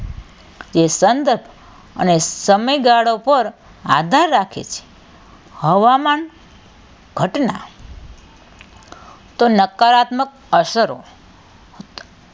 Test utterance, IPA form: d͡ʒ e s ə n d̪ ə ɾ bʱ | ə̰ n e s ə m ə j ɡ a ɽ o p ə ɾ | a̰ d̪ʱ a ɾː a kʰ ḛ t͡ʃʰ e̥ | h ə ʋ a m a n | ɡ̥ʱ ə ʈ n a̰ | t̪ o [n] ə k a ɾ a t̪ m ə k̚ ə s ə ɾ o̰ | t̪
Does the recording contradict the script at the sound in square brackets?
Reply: no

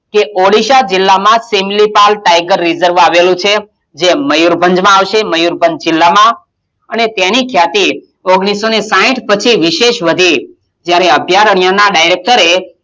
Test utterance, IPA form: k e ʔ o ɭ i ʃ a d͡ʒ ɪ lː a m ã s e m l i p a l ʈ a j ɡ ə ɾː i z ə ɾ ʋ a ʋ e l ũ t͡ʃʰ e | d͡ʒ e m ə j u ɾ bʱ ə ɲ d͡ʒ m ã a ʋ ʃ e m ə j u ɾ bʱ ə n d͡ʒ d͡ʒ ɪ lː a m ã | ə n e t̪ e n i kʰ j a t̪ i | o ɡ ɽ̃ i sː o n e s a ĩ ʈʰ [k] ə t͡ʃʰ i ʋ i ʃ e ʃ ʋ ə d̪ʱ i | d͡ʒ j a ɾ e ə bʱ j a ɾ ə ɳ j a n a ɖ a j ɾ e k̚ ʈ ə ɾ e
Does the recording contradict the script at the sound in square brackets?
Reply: yes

